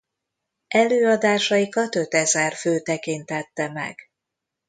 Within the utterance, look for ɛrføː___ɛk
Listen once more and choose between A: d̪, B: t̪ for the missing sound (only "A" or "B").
B